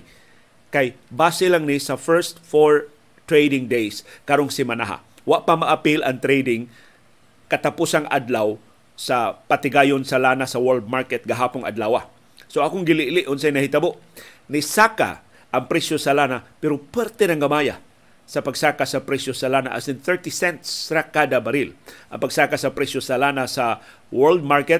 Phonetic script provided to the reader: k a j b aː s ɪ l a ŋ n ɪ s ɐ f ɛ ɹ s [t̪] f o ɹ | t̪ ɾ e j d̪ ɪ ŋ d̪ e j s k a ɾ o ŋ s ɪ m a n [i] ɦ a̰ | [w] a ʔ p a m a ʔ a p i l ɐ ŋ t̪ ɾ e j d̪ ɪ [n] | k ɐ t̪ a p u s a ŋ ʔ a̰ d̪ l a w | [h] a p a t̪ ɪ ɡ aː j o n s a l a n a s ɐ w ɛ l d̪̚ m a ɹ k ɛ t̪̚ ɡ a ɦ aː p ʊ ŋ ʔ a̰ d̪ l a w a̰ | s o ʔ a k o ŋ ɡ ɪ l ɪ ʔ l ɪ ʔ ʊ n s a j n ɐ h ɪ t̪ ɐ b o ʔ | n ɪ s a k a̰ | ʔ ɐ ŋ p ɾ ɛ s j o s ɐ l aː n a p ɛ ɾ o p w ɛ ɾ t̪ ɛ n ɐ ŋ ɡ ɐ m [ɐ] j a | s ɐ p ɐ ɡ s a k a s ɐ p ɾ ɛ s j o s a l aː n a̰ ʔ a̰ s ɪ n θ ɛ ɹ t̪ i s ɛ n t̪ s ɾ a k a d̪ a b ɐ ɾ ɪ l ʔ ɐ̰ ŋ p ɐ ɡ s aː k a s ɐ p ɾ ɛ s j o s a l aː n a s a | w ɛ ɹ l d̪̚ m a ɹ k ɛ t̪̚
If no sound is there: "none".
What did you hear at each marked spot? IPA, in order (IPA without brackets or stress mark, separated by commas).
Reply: t̪, a, w, ŋ, s, a